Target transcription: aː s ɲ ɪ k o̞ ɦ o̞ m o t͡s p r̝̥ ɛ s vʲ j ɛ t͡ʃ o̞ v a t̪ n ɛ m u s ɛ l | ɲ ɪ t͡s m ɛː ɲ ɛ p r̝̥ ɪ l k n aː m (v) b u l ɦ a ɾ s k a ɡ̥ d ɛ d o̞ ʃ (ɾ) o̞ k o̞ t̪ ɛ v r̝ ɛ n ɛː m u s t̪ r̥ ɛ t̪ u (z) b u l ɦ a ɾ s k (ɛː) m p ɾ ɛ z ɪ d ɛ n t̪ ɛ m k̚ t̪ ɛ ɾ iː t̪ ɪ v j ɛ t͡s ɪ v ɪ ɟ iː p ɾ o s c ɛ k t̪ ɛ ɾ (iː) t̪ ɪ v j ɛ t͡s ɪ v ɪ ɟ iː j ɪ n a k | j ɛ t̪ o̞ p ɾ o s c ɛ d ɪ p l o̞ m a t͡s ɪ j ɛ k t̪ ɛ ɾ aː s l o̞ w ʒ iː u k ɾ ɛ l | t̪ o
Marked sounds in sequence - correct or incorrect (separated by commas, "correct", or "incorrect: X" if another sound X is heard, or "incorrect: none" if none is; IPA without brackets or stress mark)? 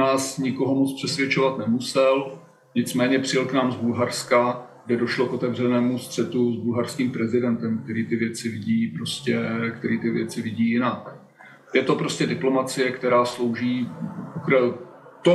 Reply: incorrect: z, incorrect: l, correct, incorrect: iː, correct